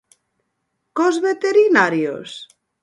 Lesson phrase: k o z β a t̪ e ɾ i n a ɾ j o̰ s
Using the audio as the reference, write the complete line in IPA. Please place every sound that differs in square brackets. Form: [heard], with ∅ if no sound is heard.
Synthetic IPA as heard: k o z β [e] t̪ e ɾ i n a ɾ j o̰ s